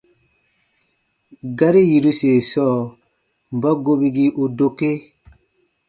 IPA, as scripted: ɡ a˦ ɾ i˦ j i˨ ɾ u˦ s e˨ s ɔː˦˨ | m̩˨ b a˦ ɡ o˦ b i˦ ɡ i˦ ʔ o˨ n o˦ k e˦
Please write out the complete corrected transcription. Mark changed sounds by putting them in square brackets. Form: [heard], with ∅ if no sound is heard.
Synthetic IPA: ɡ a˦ ɾ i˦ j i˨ ɾ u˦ s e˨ s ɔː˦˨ | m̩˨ b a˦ ɡ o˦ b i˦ ɡ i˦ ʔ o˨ [d] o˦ k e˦